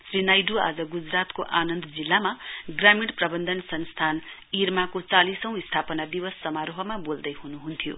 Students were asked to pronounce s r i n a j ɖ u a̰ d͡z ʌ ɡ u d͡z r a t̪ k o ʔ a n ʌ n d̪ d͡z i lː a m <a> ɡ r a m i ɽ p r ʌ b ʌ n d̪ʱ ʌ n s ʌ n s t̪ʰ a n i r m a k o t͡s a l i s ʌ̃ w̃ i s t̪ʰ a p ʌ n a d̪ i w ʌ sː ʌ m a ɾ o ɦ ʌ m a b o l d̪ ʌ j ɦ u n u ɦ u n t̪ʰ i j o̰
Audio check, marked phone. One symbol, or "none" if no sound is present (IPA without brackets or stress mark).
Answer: a